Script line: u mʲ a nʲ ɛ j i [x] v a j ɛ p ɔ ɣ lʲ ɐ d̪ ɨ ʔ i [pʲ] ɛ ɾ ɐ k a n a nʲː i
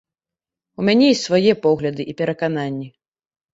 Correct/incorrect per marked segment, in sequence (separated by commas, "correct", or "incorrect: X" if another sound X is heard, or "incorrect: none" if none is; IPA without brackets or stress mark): incorrect: s, correct